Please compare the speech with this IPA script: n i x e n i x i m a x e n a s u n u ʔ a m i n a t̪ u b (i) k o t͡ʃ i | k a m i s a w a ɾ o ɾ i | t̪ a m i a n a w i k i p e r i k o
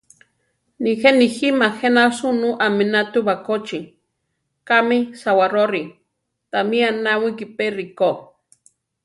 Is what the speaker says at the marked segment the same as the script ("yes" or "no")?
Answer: no